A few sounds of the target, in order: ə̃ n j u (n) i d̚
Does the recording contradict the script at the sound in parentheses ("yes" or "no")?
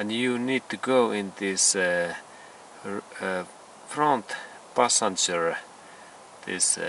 no